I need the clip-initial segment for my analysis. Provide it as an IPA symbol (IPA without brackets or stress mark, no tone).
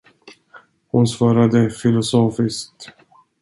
h